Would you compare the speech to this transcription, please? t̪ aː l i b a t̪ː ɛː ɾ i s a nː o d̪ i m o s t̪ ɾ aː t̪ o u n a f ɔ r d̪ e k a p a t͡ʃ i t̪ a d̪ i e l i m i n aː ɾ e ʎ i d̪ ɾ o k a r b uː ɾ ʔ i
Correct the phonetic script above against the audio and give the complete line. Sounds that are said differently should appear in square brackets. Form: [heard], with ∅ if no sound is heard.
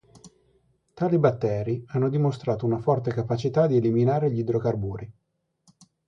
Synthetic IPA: t̪ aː l i b a t̪ː ɛː ɾ i [∅] a nː o d̪ i m o s t̪ ɾ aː t̪ o u n a f ɔ r [t̪] e k a p a t͡ʃ i t̪ a d̪ i e l i m i n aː ɾ e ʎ i d̪ ɾ o k a r b uː ɾ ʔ i